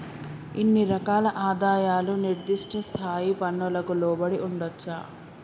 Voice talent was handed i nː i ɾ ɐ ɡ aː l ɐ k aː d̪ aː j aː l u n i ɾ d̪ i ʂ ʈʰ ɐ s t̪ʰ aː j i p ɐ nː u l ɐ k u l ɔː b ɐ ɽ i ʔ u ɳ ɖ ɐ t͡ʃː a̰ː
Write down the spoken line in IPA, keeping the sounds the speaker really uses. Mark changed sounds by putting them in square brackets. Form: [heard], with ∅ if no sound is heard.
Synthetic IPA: i nː i ɾ ɐ [k] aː l ɐ [ʔ] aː d̪ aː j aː l u n i ɾ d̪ i ʂ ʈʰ ɐ s t̪ʰ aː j i p ɐ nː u l ɐ k u l ɔː b ɐ ɽ i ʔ u ɳ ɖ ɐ t͡ʃː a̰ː